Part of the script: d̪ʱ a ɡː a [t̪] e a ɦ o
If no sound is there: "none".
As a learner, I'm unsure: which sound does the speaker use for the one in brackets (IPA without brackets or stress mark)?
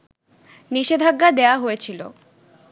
d̪